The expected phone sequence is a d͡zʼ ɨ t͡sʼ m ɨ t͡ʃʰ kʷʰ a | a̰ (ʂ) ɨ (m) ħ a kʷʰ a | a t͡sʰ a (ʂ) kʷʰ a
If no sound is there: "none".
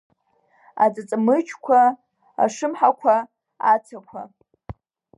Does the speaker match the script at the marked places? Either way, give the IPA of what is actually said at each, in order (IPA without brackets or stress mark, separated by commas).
ʂ, m, none